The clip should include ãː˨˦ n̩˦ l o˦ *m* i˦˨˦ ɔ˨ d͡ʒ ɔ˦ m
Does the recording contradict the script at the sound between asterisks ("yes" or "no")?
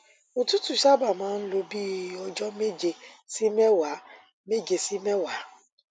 yes